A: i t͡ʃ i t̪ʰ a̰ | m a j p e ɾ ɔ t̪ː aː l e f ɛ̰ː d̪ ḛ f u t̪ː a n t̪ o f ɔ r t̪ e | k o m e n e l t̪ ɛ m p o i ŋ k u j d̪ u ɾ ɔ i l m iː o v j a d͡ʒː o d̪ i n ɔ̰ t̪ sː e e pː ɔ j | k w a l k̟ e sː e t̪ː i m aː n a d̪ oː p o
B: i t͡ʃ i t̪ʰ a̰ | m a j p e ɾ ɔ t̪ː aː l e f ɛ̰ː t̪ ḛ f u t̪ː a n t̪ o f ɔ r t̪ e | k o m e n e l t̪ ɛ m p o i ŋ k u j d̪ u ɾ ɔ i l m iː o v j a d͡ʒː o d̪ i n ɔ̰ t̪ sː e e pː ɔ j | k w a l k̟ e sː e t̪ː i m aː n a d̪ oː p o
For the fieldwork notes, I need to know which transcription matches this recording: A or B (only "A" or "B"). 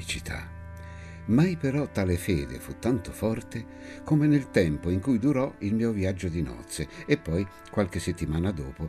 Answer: A